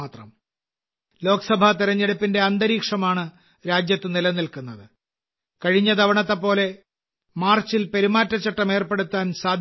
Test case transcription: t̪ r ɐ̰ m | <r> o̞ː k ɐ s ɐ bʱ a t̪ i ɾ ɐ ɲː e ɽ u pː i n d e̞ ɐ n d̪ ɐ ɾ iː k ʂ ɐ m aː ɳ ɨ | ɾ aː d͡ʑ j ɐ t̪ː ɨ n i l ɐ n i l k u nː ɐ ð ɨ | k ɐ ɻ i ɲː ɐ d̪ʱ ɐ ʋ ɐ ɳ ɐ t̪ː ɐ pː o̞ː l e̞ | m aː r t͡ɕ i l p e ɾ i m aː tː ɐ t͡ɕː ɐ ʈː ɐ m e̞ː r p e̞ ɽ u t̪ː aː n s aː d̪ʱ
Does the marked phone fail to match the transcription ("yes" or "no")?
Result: yes